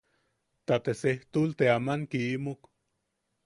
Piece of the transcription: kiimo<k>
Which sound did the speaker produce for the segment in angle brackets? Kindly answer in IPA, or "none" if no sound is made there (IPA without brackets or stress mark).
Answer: k